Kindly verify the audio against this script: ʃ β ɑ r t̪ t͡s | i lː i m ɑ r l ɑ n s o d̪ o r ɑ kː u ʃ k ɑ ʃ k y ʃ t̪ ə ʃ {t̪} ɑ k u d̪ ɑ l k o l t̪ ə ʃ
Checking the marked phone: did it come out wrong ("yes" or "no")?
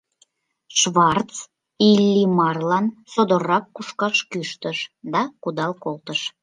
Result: yes